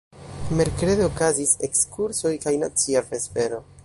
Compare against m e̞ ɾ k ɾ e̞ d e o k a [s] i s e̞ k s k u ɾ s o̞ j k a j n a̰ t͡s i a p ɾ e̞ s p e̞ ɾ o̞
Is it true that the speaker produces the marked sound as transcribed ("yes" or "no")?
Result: no